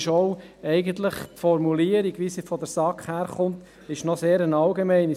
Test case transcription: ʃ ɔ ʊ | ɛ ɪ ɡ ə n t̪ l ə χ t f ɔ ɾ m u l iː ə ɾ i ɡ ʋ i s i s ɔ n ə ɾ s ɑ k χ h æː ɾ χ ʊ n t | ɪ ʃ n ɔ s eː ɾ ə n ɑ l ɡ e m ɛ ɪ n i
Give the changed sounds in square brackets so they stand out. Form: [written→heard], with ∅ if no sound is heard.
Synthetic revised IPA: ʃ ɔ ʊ | ɛ ɪ ɡ ə n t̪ l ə χ t f ɔ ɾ m u l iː ə ɾ i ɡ ʋ i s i [s→f] ɔ [n→d] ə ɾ s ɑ k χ h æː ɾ χ ʊ n t | ɪ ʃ n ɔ s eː ɾ ə n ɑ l ɡ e m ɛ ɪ n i